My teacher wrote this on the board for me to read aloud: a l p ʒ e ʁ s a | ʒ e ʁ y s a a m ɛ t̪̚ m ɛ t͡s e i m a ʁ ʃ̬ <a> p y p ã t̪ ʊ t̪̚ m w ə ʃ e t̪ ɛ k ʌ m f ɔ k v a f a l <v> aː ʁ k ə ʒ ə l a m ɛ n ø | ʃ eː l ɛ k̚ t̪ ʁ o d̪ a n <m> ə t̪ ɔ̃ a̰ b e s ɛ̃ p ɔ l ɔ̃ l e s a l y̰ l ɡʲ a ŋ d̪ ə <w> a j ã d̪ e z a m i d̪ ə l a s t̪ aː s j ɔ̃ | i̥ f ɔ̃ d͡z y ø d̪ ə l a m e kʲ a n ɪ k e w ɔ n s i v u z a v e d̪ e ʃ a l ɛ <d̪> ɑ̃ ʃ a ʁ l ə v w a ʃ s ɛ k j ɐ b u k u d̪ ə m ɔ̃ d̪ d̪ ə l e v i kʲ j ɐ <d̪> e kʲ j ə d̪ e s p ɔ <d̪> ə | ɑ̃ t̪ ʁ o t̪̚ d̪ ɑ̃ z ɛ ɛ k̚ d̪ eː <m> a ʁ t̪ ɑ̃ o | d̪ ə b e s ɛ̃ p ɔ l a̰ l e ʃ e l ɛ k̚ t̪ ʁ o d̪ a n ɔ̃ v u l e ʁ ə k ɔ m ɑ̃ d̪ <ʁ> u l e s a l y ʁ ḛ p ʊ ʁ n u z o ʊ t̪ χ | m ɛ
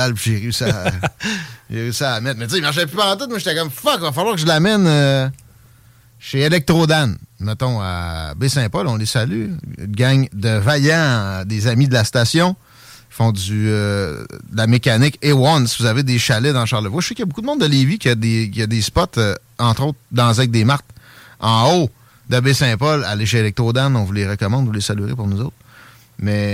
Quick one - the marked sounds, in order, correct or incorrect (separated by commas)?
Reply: incorrect, incorrect, correct, incorrect, correct, correct, incorrect, correct, incorrect